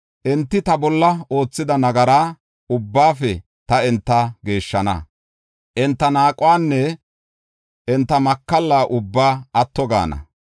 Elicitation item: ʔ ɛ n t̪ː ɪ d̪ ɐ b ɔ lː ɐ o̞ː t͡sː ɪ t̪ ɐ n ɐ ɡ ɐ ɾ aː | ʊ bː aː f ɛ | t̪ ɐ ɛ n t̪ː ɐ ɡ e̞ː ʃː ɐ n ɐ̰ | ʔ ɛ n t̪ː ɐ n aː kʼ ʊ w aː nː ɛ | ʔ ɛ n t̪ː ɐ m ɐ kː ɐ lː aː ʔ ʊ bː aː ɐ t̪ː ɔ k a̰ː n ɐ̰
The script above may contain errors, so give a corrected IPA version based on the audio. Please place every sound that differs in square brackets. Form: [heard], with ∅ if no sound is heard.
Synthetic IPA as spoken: ʔ ɛ n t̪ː ɪ [t̪] ɐ b ɔ lː ɐ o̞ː t͡sː ɪ [d̪] ɐ n ɐ ɡ ɐ ɾ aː | ʊ bː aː f ɛ | t̪ ɐ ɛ n t̪ː ɐ ɡ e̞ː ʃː ɐ n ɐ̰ | ʔ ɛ n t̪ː ɐ n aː kʼ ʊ w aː nː ɛ | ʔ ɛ n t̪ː ɐ m ɐ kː ɐ lː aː ʔ ʊ bː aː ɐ t̪ː ɔ [ɡ] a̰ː n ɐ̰

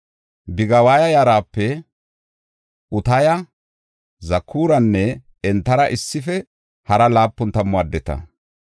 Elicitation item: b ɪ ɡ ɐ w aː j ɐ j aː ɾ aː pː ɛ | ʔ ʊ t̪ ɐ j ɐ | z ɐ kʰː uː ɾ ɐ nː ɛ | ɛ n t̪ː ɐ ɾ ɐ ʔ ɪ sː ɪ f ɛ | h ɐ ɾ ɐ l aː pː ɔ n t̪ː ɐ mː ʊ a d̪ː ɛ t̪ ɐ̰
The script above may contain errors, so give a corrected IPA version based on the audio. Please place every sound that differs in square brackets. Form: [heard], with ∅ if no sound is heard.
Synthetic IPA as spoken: b ɪ ɡ ɐ w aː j ɐ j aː ɾ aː pː ɛ | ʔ ʊ t̪ ɐ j ɐ | z ɐ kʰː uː ɾ ɐ nː ɛ | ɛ n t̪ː ɐ ɾ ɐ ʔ ɪ sː ɪ f ɛ | h ɐ ɾ ɐ l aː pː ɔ n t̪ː ɐ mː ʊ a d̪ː ɛ t̪ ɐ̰

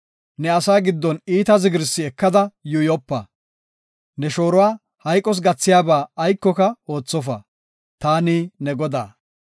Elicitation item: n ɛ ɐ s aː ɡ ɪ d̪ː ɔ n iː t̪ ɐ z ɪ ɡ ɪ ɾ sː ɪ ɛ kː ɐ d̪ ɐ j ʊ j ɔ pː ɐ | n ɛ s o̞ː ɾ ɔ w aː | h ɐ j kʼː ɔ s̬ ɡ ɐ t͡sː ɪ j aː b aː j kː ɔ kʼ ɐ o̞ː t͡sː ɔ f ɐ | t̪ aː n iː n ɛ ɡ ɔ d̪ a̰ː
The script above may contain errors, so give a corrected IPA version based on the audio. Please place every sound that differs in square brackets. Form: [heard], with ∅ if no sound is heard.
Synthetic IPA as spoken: n ɛ ɐ s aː ɡ ɪ d̪ː ɔ n iː t̪ ɐ z ɪ ɡ ɪ ɾ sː ɪ ɛ kː ɐ d̪ ɐ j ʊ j ɔ pː ɐ | n ɛ [ʃ] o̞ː ɾ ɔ w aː | h ɐ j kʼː ɔ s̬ ɡ ɐ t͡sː ɪ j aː b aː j kː ɔ [k] ɐ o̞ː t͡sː ɔ f ɐ | t̪ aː n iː n ɛ ɡ ɔ d̪ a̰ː

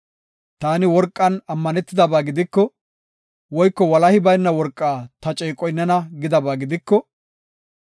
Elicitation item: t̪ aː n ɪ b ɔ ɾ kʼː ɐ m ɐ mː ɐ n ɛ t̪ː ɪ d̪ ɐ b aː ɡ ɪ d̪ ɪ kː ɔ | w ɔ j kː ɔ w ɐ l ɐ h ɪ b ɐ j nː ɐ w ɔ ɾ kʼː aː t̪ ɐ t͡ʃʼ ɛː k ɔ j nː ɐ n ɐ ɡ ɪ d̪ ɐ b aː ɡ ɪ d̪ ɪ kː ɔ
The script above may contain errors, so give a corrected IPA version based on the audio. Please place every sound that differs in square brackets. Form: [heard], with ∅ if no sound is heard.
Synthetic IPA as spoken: t̪ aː n ɪ [w] ɔ ɾ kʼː ɐ [n] ɐ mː ɐ n ɛ t̪ː ɪ d̪ ɐ b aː ɡ ɪ d̪ ɪ kː ɔ | w ɔ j kː ɔ w ɐ l ɐ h ɪ b ɐ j nː ɐ w ɔ ɾ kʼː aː t̪ ɐ t͡ʃʼ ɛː [kʼ] ɔ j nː ɐ n ɐ ɡ ɪ d̪ ɐ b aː ɡ ɪ d̪ ɪ kː ɔ

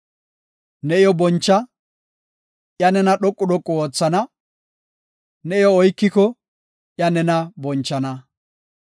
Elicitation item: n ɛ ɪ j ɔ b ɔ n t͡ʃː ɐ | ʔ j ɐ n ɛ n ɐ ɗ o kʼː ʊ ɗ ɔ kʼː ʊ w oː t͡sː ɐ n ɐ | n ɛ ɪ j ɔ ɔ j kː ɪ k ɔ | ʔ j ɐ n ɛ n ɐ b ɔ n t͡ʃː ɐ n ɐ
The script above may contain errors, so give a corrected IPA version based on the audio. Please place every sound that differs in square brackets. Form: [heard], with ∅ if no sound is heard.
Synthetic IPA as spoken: n ɛ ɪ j ɔ b ɔ n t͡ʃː ɐ | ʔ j ɐ n ɛ n ɐ ɗ [ɔ] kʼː ʊ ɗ ɔ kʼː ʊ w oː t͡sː ɐ n ɐ | n ɛ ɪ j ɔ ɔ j kː ɪ k ɔ | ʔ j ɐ n ɛ n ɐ b ɔ n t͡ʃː ɐ n ɐ

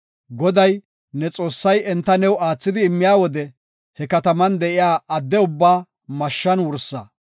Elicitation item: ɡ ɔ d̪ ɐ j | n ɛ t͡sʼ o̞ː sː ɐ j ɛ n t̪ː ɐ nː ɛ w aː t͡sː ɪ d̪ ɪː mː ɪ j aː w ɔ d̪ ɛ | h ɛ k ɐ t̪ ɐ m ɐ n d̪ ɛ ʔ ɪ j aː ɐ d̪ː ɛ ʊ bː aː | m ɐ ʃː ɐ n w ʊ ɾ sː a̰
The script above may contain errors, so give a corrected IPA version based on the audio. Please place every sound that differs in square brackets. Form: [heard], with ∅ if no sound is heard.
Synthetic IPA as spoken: ɡ ɔ d̪ ɐ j | n ɛ t͡sʼ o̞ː sː ɐ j ɛ n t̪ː ɐ [n] ɛ w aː t͡sː ɪ d̪ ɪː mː ɪ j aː w ɔ d̪ ɛ | h ɛ k ɐ t̪ ɐ m ɐ n d̪ ɛ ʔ ɪ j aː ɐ d̪ː ɛ ʊ bː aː | m ɐ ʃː ɐ n w ʊ ɾ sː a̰

